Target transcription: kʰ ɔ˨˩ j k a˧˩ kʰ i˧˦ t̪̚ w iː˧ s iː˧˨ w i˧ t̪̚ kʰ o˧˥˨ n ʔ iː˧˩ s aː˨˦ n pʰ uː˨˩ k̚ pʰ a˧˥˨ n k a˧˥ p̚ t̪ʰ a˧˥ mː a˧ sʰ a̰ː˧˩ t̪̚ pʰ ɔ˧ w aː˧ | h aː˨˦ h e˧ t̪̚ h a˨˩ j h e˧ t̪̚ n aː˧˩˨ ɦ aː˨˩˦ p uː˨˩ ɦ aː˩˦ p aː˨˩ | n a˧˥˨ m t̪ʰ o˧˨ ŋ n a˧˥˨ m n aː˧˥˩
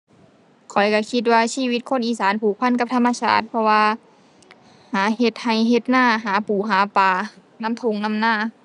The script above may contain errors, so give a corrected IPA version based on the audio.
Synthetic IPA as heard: kʰ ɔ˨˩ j k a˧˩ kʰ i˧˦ t̪̚ w aː˧ s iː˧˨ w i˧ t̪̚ kʰ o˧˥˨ n ʔ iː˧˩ s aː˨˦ n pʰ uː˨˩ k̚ pʰ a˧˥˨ n k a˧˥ p̚ t̪ʰ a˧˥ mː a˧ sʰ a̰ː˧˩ t̪̚ pʰ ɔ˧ w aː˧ | h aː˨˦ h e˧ t̪̚ h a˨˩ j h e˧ t̪̚ n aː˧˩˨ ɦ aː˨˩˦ p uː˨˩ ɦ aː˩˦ p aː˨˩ | n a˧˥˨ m t̪ʰ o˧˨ ŋ n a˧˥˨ m n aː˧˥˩